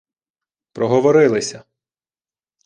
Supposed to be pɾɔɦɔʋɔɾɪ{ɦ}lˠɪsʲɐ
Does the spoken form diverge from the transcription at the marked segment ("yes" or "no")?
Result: yes